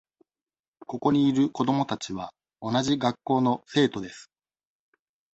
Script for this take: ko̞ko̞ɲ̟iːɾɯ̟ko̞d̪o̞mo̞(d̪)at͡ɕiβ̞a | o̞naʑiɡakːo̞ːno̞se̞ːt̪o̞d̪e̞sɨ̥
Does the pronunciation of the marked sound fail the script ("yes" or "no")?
yes